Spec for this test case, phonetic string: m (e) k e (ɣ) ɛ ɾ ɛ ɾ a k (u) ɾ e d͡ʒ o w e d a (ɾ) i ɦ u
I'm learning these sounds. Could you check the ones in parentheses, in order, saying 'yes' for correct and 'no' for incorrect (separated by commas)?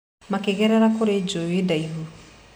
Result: no, yes, no, no